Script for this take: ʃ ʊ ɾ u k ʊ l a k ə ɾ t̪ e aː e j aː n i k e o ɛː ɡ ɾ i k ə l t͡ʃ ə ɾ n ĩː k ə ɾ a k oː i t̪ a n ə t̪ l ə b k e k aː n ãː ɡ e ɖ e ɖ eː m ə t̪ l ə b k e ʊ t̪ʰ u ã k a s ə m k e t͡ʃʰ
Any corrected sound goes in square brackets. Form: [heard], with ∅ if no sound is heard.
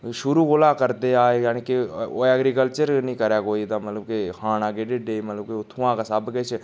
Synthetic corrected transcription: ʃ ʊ ɾ u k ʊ l a k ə ɾ t̪ e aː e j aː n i k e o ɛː ɡ ɾ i k ə l t͡ʃ ə ɾ n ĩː k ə ɾ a k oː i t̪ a [m] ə t̪ l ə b k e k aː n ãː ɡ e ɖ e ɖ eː m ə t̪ l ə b k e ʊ t̪ʰ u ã k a s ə [b] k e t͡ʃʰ

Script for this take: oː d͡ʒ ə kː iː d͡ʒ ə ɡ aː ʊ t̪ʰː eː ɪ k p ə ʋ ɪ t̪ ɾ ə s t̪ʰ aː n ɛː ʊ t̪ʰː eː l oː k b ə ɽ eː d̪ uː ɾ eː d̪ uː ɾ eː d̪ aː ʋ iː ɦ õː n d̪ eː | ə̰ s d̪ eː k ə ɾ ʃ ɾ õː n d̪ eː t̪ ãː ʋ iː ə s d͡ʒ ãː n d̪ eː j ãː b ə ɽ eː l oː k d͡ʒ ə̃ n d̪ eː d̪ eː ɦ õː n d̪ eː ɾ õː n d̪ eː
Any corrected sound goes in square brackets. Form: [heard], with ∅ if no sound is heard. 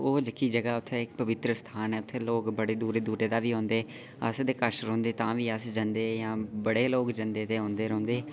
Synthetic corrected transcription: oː d͡ʒ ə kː iː d͡ʒ ə ɡ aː ʊ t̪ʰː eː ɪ k p ə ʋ ɪ t̪ ɾ ə s t̪ʰ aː n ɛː ʊ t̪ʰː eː l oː k b ə ɽ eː d̪ uː ɾ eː d̪ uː ɾ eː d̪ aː ʋ iː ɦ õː n d̪ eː | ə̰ s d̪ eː k ə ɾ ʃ ɾ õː n d̪ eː t̪ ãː ʋ iː ə s d͡ʒ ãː n d̪ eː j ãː b ə ɽ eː l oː k d͡ʒ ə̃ n d̪ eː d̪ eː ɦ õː n d̪ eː ɾ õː n d̪ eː

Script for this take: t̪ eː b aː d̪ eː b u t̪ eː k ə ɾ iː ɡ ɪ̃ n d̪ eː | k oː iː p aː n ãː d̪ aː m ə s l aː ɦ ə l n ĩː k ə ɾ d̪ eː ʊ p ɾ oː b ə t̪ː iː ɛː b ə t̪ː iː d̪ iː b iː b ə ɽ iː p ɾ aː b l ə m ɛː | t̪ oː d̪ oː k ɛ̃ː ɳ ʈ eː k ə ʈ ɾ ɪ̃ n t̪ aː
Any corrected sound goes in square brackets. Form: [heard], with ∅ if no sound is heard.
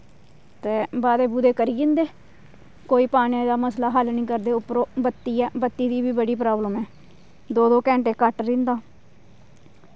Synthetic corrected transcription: t̪ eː b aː d̪ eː b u [d̪] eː k ə ɾ iː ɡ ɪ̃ n d̪ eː | k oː iː p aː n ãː d̪ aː m ə s l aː ɦ ə l n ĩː k ə ɾ d̪ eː ʊ p ɾ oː b ə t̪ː iː ɛː b ə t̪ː iː d̪ iː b iː b ə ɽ iː p ɾ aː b l ə m ɛː | [d̪] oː d̪ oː k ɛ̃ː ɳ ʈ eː k ə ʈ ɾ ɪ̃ n [d̪] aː

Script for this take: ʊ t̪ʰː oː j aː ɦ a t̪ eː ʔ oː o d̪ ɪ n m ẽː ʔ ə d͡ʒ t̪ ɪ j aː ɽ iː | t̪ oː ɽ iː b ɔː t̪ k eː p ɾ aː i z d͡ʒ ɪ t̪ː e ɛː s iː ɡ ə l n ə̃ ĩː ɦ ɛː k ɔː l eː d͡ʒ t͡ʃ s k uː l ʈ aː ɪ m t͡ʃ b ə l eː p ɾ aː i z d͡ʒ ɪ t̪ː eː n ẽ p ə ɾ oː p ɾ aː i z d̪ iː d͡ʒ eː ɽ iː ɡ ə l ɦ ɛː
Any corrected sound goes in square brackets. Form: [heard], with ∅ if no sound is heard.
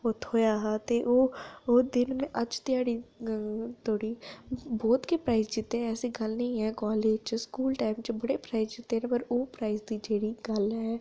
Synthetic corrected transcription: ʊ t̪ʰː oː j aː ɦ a t̪ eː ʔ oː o d̪ ɪ n m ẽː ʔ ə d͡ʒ t̪ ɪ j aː ɽ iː | t̪ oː ɽ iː b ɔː t̪ k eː p ɾ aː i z d͡ʒ ɪ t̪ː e ɛː s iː ɡ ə l n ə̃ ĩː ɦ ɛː k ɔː l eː d͡ʒ t͡ʃ s k uː l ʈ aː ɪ m t͡ʃ b ə [ɽ] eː p ɾ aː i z d͡ʒ ɪ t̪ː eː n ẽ p ə ɾ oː p ɾ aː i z d̪ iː d͡ʒ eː ɽ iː ɡ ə l ɦ ɛː

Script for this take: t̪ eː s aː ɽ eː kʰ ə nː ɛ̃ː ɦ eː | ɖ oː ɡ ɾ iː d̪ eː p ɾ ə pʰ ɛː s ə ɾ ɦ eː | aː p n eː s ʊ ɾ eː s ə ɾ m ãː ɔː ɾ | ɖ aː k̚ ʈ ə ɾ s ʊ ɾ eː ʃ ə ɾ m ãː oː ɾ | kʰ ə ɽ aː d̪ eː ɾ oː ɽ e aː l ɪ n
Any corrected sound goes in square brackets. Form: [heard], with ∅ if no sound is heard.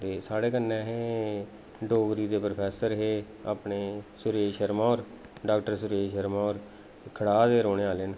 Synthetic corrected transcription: t̪ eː s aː ɽ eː [k] ə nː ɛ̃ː ɦ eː | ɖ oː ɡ ɾ iː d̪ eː p ɾ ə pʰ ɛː s ə ɾ ɦ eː | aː p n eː s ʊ ɾ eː [ʃ] ə ɾ m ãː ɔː ɾ | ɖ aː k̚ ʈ ə ɾ s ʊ ɾ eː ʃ ə ɾ m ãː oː ɾ | kʰ ə ɽ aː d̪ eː ɾ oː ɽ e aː l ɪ n

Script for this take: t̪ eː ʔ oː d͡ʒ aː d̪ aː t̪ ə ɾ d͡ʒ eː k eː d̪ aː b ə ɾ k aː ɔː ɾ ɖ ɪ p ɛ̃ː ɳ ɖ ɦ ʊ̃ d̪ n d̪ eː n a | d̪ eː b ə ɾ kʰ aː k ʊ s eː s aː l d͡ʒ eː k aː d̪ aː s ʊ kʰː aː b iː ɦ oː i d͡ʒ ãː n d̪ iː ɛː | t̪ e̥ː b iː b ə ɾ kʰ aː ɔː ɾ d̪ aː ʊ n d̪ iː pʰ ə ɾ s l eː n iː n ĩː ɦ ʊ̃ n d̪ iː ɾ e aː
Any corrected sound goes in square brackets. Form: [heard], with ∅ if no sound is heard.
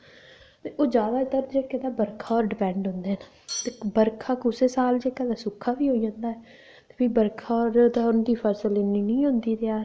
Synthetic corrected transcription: t̪ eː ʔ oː d͡ʒ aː d̪ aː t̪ ə ɾ d͡ʒ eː k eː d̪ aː b ə ɾ [kʰ] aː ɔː ɾ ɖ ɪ p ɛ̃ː ɳ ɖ ɦ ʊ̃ [∅] n d̪ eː n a | [t̪] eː b ə ɾ kʰ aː k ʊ s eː s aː l d͡ʒ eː k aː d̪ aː s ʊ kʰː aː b iː ɦ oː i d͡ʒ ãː n d̪ [aː] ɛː | t̪ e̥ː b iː b ə ɾ kʰ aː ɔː ɾ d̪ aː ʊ n d̪ iː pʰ ə ɾ s l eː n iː n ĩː ɦ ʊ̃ n d̪ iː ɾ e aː

